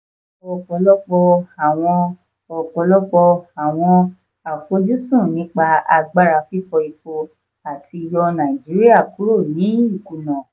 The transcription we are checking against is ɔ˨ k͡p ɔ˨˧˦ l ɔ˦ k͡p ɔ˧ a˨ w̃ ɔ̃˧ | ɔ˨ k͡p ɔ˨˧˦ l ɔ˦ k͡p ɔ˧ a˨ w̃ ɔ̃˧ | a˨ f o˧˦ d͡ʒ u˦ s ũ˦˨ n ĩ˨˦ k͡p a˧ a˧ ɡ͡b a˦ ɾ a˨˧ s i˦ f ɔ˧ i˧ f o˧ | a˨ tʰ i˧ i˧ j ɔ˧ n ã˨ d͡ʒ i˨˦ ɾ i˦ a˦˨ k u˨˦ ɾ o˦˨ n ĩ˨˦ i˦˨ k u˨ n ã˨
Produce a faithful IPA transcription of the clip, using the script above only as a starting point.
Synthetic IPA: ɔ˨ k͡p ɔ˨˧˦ l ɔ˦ k͡p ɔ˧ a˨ w̃ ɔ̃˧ | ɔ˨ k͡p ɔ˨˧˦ l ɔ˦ k͡p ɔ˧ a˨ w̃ ɔ̃˧ | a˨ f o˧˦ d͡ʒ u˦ s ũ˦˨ n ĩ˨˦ k͡p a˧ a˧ ɡ͡b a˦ ɾ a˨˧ f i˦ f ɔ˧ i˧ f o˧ | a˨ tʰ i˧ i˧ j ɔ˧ n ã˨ d͡ʒ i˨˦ ɾ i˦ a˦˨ k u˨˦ ɾ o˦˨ n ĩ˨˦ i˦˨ k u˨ n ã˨